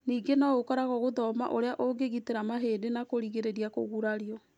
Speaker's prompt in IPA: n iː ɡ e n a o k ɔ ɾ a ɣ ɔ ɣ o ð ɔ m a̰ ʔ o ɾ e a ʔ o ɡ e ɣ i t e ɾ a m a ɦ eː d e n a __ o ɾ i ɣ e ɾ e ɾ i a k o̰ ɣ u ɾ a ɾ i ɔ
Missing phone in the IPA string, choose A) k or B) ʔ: A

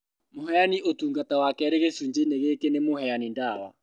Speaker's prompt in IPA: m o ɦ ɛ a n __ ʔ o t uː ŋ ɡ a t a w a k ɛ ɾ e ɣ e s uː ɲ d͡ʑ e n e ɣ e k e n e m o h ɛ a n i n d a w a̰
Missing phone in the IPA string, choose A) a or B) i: B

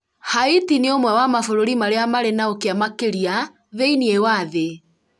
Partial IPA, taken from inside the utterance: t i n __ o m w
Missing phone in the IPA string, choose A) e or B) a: A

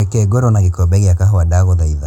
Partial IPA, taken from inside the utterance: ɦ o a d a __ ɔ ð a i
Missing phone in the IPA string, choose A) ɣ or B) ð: A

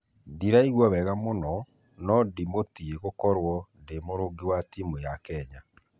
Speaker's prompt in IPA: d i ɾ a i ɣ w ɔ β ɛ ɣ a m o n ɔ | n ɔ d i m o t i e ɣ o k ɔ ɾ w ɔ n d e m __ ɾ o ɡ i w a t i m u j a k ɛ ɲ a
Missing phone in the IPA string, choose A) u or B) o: B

